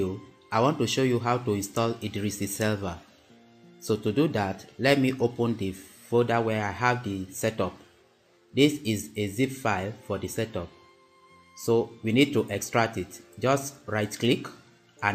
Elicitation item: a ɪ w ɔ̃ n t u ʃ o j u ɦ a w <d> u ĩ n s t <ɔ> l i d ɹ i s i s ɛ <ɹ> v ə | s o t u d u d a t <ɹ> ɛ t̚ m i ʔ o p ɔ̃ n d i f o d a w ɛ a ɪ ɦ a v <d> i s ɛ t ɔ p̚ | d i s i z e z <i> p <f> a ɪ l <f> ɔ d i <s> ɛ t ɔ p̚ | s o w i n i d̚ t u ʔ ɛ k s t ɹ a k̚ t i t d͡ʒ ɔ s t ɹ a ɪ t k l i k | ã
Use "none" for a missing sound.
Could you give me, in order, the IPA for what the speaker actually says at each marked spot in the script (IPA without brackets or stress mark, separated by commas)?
t, ɔ, l, l, d, i, f, f, s